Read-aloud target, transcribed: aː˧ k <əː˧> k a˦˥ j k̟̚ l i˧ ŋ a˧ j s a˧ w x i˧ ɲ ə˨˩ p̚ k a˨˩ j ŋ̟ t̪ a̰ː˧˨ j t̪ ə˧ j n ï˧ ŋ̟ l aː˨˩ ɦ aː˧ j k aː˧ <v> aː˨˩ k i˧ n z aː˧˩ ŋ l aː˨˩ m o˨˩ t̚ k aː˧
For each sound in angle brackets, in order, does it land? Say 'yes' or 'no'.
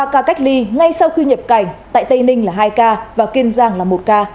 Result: no, yes

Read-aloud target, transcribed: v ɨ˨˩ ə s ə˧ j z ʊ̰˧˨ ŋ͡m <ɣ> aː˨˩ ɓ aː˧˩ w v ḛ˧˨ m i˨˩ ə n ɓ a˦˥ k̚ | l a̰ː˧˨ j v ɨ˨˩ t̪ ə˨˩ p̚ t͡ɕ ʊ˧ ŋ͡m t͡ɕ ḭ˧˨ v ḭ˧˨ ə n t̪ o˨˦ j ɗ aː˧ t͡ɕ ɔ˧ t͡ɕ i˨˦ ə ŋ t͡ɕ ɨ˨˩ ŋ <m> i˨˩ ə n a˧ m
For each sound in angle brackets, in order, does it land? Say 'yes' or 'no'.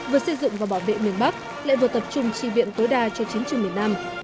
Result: no, yes

